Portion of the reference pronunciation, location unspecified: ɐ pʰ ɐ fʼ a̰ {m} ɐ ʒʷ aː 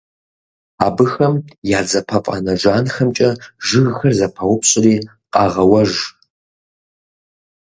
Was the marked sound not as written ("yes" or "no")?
yes